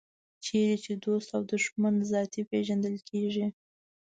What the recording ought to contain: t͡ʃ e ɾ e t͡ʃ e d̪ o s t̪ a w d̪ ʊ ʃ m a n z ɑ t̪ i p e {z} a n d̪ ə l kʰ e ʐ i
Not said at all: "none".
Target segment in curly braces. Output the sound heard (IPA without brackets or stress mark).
ʒ